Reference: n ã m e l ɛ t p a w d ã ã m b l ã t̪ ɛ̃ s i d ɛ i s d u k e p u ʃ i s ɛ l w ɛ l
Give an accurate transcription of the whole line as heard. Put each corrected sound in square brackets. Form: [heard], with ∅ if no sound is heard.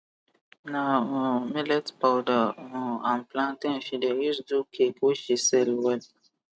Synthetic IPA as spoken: n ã m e l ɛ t p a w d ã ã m [p] l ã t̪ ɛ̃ [f] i d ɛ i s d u k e [k] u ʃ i s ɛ l w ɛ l